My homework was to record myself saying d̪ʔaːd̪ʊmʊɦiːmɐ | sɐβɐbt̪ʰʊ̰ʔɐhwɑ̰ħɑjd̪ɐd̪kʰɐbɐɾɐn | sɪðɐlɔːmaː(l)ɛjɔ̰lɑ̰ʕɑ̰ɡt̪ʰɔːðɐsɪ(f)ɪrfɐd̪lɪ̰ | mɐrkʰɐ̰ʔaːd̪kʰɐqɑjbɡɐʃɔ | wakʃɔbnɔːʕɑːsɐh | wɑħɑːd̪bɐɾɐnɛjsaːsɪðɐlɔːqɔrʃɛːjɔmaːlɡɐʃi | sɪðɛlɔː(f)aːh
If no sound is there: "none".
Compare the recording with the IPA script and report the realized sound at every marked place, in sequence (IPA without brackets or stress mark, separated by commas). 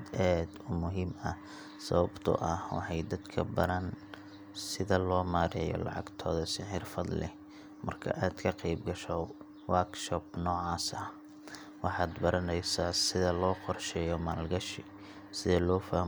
ɾ, ħ, f